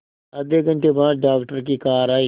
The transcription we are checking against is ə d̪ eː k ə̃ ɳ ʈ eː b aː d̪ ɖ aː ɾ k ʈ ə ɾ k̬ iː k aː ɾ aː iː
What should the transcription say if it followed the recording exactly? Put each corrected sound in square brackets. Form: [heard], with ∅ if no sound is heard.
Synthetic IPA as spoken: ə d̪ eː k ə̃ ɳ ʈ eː b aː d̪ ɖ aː [∅] k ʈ ə ɾ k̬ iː k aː ɾ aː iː